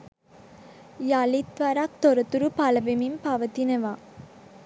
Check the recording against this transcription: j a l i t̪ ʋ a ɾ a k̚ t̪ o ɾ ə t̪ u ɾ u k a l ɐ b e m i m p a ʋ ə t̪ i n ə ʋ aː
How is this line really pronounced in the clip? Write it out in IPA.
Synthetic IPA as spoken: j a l i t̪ ʋ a ɾ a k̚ t̪ o ɾ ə t̪ u ɾ u p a l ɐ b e m i m p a ʋ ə t̪ i n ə ʋ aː

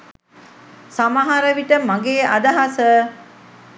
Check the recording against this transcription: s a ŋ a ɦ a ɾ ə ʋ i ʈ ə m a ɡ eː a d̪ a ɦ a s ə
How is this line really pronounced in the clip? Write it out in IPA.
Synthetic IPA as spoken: s a m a ɦ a ɾ ə ʋ i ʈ ə m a ɡ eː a d̪ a ɦ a s ə

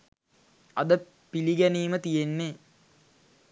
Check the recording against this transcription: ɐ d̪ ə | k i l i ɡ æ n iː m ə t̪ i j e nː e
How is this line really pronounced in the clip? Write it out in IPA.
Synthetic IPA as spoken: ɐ d̪ ə | p i l i ɡ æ n iː m ə t̪ i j e nː e

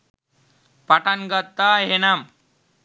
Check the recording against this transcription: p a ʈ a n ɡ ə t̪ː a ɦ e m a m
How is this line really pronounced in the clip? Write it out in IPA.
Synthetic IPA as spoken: p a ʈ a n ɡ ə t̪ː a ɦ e n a m

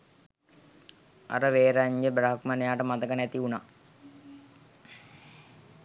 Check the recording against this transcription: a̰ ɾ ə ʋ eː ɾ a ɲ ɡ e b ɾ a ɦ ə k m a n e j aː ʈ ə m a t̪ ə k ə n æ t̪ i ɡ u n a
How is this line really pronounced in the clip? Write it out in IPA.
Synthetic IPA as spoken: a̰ ɾ ə ʋ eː ɾ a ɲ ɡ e b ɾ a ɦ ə k m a n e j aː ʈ ə m a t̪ ə k ə n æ t̪ i u n a

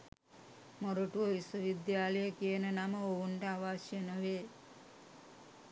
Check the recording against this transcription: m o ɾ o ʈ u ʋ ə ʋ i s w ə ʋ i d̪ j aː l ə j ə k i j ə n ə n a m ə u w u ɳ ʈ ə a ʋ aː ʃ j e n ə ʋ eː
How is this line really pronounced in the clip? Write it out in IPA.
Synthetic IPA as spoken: m o ɾ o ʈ u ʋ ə ʋ i s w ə ʋ i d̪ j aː l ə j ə k i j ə n ə n a m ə o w u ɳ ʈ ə a ʋ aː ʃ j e n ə ʋ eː

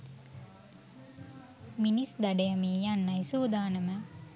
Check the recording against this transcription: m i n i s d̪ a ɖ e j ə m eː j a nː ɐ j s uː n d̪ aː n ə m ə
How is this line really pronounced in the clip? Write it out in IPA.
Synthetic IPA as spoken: m i n i s d̪ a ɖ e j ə m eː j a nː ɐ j s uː d̪ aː n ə m ə

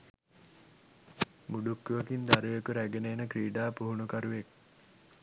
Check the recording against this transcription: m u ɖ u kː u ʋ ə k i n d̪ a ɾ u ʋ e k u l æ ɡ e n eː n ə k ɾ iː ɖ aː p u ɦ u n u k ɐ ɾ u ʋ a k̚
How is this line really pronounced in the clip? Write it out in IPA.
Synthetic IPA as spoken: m u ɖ u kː u ʋ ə k i n d̪ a ɾ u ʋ e k u ɾ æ ɡ e n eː n ə k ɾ iː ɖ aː p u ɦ u n u k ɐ ɾ u ʋ e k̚

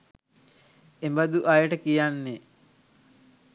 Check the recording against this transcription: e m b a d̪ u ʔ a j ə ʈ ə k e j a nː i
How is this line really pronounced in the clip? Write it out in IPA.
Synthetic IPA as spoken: e m b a d̪ u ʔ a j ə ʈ ə k i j a nː e

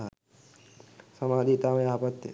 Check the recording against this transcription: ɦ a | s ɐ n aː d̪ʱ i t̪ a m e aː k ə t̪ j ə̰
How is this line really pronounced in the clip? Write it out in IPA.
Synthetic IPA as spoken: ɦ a | s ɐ m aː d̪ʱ i t̪ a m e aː p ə t̪ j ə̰

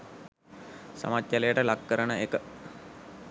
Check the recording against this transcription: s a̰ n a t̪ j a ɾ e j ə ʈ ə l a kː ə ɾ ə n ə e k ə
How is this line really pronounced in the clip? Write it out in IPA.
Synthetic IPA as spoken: s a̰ m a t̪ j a l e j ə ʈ ə l a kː ə ɾ ə n ə e k ə

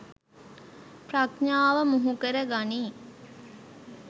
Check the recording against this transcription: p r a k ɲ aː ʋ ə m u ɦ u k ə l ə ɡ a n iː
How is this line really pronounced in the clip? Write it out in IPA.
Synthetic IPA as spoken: p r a k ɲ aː ʋ ə m u ɦ u k ə ɾ ə ɡ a n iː

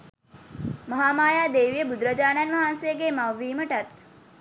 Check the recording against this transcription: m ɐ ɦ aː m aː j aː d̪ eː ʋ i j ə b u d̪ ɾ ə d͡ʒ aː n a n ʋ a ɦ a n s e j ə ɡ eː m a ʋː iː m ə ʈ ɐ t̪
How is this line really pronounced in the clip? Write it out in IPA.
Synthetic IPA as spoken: m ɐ ɦ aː m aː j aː d̪ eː ʋ i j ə b u d̪ ɾ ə d͡ʒ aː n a n ʋ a ɦ a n s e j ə ɡ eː m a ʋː iː m ə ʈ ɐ t̪

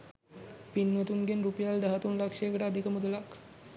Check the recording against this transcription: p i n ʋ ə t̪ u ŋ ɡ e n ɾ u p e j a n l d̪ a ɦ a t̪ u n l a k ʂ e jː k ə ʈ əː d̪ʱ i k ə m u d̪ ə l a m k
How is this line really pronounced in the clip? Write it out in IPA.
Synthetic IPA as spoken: p i n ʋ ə t̪ u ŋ ɡ e n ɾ u p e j a l d̪ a ɦ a t̪ u n l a k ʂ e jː k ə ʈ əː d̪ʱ i k ə m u d̪ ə l a k

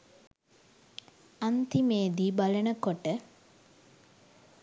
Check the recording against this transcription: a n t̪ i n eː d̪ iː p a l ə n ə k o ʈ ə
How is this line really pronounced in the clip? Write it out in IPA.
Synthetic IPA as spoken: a n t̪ i m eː d̪ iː b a l ə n ə k o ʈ ə

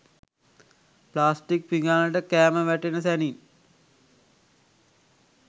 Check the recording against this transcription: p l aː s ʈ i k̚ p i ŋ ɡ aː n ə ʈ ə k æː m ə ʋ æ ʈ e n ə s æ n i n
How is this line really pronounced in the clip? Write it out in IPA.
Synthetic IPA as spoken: p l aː s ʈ i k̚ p i ŋ ɡ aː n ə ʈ ə k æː m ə ʋ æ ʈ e n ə s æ n i n

